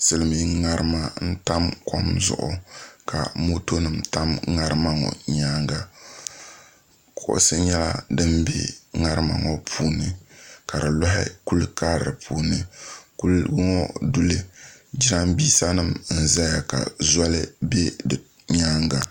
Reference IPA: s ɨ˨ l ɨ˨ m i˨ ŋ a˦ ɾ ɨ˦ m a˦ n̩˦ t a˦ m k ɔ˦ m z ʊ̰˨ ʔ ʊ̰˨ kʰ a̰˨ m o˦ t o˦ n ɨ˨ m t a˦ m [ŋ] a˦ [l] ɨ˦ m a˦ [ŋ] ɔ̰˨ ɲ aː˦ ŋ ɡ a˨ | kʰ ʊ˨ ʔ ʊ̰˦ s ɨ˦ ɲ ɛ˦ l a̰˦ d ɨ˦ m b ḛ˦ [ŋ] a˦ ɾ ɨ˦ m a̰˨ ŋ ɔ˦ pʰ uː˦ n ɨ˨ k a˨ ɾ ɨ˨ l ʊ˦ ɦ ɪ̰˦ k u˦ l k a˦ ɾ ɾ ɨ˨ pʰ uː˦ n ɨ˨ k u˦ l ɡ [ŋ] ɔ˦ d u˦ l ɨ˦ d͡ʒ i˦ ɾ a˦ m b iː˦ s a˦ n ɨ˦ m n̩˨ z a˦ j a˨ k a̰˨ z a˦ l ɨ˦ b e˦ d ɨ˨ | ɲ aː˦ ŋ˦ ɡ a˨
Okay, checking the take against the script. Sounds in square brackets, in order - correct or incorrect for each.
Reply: correct, incorrect: ɾ, correct, correct, correct

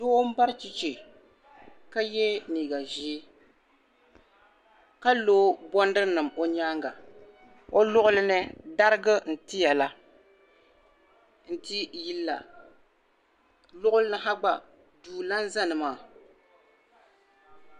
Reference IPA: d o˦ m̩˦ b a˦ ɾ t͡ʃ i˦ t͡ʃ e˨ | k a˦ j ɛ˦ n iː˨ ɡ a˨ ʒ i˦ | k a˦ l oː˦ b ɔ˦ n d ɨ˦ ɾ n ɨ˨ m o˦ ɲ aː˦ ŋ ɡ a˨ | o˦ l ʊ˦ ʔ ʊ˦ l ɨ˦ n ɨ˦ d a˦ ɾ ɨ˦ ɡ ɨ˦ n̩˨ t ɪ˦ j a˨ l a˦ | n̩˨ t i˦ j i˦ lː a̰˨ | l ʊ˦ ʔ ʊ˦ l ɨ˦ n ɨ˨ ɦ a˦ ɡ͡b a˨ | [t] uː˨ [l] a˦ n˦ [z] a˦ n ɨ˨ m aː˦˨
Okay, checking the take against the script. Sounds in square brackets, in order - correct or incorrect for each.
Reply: incorrect: d, correct, correct

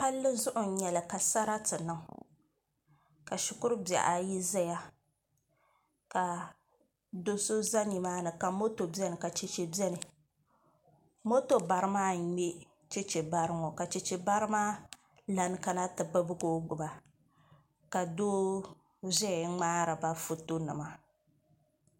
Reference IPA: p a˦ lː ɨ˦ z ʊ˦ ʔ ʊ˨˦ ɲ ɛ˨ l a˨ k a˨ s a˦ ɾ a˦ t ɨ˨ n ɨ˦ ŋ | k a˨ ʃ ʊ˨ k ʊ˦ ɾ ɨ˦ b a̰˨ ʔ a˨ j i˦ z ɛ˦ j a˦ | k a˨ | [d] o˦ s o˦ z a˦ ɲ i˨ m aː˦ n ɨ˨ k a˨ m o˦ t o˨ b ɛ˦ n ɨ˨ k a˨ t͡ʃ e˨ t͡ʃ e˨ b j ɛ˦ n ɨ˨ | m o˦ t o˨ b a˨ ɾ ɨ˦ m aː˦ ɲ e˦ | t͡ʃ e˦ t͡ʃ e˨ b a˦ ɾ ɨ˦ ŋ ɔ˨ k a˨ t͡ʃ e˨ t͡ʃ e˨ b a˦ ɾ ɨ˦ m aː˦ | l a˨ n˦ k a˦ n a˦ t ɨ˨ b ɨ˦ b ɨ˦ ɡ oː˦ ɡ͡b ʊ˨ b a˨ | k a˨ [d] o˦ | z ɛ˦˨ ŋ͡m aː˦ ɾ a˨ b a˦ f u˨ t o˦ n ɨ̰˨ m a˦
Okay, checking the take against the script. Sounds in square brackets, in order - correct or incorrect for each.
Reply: correct, correct

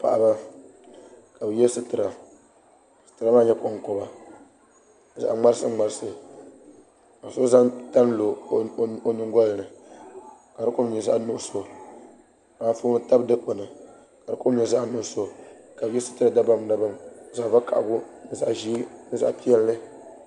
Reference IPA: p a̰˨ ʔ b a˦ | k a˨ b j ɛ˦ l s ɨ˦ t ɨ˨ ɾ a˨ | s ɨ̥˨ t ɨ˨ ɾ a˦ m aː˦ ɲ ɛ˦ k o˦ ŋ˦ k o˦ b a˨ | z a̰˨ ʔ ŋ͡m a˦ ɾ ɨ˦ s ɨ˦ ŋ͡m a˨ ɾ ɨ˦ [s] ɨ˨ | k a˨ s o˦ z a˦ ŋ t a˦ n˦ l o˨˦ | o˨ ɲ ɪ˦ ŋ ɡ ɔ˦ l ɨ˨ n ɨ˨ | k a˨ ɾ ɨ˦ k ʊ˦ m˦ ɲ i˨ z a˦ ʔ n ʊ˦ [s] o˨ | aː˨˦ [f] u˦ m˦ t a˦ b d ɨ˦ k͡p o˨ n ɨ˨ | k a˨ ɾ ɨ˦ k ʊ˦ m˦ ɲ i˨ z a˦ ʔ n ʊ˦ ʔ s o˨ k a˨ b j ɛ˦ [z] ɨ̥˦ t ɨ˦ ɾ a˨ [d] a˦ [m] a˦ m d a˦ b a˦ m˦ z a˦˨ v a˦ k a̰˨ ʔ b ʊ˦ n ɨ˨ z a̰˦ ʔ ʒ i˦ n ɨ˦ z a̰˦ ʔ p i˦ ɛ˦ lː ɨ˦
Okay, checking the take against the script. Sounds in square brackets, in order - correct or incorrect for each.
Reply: correct, correct, correct, incorrect: s, correct, incorrect: b

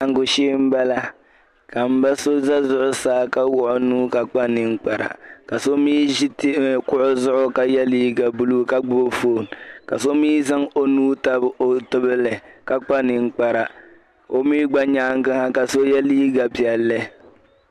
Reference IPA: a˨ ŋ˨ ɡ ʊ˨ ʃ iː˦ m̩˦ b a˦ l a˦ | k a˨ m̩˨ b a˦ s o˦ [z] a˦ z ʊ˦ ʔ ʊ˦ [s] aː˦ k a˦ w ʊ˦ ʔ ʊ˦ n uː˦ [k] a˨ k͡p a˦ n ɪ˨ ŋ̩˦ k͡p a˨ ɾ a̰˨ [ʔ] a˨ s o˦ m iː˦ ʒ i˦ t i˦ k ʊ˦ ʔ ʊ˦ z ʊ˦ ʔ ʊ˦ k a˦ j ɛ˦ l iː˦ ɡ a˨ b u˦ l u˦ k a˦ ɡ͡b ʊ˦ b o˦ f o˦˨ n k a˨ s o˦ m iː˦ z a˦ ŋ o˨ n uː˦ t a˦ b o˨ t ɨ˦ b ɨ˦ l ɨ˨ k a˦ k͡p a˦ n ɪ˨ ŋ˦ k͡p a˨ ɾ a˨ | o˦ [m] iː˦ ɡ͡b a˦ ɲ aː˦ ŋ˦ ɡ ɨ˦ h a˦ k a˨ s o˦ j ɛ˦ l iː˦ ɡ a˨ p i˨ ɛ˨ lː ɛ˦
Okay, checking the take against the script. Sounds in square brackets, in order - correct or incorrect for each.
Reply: correct, correct, correct, incorrect: k, correct

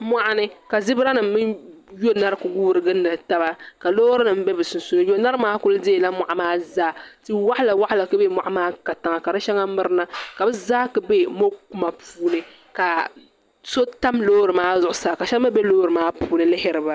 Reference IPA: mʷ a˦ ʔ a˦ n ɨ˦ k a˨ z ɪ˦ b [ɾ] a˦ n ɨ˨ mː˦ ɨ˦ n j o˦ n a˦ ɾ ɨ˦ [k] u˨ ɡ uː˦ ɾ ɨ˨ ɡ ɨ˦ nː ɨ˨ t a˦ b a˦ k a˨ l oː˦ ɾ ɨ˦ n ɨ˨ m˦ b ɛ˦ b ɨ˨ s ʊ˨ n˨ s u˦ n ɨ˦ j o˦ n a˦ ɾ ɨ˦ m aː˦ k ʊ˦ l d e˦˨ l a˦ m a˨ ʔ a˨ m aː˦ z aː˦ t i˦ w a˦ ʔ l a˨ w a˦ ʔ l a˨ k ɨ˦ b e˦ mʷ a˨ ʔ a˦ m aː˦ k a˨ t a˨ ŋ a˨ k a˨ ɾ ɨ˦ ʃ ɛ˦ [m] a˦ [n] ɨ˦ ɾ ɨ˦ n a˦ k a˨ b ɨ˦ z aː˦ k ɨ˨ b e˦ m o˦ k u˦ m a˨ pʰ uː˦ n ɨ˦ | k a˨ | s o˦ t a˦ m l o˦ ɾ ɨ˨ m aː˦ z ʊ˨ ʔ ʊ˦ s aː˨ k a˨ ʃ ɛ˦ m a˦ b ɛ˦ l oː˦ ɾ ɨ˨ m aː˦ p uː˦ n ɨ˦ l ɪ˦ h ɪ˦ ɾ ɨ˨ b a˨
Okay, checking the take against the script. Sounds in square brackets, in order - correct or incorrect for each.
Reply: correct, correct, incorrect: ŋ, incorrect: m

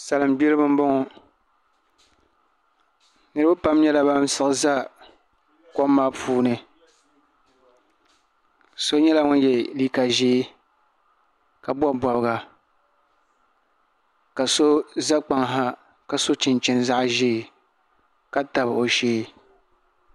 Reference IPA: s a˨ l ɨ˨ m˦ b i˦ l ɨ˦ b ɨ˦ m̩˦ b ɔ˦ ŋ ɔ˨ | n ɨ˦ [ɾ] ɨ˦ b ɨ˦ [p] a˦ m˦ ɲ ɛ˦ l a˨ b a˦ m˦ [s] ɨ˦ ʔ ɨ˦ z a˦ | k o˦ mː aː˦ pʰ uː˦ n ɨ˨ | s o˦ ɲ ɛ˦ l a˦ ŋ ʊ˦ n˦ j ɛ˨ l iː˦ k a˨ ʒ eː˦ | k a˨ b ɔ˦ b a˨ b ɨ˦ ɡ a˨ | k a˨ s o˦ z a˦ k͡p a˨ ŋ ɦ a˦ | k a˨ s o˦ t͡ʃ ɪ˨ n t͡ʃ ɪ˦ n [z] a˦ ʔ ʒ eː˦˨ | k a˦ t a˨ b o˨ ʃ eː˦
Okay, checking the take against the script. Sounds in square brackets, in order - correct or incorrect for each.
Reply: correct, correct, correct, correct

